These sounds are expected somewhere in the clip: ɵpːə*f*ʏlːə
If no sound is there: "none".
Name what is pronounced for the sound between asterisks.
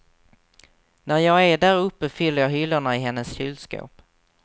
f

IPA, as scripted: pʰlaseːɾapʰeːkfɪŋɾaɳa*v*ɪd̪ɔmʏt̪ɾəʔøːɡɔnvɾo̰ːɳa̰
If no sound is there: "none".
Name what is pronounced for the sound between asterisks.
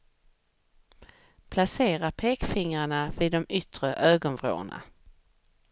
v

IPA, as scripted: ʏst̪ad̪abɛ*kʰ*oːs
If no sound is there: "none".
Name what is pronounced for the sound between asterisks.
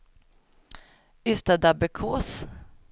kʰ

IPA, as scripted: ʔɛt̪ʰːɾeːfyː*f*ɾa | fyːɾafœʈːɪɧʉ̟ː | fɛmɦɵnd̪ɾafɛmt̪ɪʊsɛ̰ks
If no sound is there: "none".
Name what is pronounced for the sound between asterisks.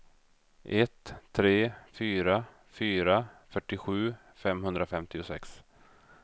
none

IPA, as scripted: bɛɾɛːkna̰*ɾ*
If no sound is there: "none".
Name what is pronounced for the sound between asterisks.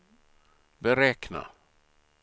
none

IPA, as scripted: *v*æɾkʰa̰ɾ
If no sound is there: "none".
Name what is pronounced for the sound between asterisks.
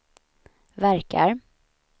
v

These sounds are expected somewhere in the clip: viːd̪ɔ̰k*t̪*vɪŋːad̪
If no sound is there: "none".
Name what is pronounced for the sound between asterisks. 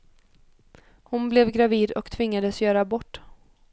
t̪ʰ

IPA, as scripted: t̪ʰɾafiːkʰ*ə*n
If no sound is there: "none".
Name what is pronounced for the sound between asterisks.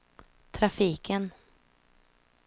ə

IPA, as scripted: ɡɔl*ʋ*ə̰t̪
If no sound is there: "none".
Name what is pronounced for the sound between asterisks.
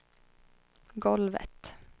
ʋ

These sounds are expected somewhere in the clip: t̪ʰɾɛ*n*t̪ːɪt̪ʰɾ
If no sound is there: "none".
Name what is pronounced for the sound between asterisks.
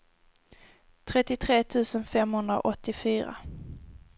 none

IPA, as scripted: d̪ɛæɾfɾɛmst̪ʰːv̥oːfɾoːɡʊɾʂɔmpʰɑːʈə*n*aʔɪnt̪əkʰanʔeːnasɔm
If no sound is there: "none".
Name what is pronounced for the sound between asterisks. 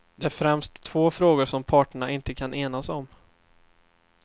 ɳ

